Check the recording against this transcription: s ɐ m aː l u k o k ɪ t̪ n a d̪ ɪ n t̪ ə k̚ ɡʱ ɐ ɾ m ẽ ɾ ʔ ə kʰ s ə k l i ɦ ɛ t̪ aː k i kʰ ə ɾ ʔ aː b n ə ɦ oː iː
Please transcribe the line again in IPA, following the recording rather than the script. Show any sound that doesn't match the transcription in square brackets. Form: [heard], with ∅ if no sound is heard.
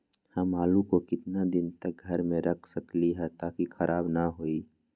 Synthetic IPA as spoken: [h] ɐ m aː l u k o k ɪ t̪ n a d̪ ɪ n t̪ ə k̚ ɡʱ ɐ ɾ m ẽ ɾ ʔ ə kʰ s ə k l i ɦ ɛ t̪ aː k i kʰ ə ɾ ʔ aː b n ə ɦ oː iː